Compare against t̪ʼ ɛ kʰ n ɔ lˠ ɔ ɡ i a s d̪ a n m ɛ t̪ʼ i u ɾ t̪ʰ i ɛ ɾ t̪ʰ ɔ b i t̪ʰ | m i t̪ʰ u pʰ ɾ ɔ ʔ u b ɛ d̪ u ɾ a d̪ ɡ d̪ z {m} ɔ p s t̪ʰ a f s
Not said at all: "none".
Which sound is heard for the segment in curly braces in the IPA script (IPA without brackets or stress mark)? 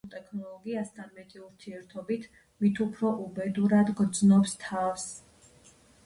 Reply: n